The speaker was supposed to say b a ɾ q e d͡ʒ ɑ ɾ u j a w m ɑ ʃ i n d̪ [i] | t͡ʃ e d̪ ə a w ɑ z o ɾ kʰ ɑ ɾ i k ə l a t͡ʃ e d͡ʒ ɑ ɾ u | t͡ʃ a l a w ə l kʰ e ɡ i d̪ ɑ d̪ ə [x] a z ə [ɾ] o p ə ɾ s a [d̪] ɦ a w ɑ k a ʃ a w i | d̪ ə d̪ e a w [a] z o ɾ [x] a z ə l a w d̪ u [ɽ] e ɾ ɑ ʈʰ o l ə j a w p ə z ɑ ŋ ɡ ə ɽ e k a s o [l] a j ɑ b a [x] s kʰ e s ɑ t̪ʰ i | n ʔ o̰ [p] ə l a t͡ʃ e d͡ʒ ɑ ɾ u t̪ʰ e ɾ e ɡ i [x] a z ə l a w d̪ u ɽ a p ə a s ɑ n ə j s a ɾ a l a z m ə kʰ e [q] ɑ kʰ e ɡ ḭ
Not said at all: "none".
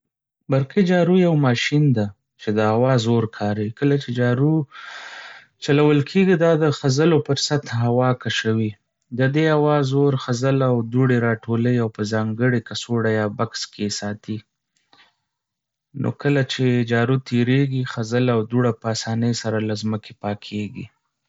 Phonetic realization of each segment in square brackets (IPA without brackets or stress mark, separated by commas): a, x, l, t̪, ɑ, x, ɽ, ɽ, k, k, x, p